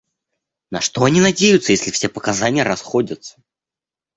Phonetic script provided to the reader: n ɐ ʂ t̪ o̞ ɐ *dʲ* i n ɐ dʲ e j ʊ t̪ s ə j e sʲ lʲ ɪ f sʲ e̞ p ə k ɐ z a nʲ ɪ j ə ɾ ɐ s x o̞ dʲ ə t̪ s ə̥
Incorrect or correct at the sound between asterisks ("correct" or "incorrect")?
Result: incorrect